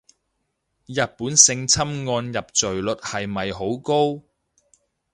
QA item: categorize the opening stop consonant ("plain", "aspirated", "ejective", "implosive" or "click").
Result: plain